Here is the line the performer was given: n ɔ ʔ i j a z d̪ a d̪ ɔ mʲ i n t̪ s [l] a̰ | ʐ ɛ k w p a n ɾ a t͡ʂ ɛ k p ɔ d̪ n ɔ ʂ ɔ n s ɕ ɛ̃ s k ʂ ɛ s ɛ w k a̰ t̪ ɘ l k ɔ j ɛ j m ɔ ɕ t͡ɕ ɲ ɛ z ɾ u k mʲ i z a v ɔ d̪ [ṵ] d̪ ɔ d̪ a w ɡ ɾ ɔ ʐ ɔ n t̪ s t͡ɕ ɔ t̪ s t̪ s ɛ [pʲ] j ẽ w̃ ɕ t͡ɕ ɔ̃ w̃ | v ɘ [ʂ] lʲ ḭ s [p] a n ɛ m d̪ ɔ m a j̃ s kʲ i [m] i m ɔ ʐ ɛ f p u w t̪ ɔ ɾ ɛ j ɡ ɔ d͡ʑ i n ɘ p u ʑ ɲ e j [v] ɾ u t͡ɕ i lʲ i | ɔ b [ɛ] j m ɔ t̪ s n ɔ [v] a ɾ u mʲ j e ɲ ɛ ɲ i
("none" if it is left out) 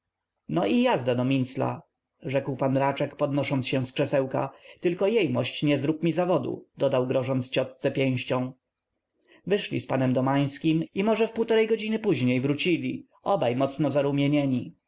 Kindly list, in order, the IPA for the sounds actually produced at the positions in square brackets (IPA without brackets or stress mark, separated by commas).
l, ṵ, pʲ, ʂ, p, m, v, a, z